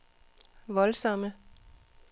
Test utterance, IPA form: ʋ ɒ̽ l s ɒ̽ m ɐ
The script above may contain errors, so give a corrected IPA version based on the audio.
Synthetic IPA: ʋ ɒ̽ l s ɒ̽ m ə